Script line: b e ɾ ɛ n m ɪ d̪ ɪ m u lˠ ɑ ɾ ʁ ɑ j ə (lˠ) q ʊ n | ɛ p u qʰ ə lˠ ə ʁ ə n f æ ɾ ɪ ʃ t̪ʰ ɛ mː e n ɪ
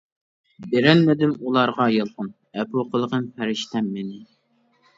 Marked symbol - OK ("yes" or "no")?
yes